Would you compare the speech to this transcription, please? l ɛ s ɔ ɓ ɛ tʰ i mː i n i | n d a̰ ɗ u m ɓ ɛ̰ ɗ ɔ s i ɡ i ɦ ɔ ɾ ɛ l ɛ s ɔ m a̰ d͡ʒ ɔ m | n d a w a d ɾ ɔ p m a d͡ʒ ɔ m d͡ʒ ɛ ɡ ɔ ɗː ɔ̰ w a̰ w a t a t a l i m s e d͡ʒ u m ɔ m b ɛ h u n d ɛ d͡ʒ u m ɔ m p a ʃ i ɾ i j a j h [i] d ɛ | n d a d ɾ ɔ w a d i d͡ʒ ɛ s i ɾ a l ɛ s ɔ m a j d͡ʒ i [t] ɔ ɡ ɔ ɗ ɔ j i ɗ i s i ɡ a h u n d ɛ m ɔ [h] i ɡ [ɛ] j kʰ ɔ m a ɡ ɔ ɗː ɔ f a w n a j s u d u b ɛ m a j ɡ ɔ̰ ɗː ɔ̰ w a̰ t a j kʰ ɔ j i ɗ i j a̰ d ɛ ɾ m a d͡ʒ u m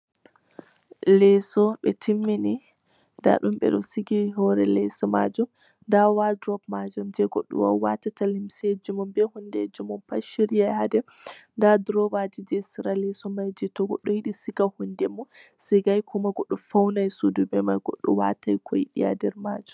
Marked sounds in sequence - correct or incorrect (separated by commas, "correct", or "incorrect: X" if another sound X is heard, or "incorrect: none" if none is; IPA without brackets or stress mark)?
incorrect: a, correct, incorrect: s, incorrect: a